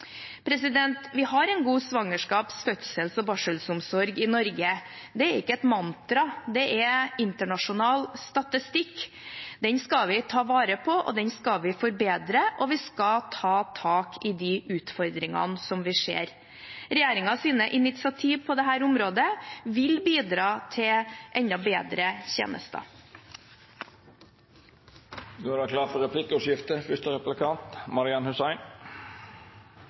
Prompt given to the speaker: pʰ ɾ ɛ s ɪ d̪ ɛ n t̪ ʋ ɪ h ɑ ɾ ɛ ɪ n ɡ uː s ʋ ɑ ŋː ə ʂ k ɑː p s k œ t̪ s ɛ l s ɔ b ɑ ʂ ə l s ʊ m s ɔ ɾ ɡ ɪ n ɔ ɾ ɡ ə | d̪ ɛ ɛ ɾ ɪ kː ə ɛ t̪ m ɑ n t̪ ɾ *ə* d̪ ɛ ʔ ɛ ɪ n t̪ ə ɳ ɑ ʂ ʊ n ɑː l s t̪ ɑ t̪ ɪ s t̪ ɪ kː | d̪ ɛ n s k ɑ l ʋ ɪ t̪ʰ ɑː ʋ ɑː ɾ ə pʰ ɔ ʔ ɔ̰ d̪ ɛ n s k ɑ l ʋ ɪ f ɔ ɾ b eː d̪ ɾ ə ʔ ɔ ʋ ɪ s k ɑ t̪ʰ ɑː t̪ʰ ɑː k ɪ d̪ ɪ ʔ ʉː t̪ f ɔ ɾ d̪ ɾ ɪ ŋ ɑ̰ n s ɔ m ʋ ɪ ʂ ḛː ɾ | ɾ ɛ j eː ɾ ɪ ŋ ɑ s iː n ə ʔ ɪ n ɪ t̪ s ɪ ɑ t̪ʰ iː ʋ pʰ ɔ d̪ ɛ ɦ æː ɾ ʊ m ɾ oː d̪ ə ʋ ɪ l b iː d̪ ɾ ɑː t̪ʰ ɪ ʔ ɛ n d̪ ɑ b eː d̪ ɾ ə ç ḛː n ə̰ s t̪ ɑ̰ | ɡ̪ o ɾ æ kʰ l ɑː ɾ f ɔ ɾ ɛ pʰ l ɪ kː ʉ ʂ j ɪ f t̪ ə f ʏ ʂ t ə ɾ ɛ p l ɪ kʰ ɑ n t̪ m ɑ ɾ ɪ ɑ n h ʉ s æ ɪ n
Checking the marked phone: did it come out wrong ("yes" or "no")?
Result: yes